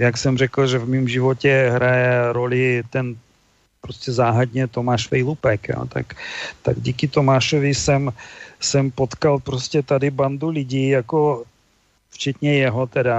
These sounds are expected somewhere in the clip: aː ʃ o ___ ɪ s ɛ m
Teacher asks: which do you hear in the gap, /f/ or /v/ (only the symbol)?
v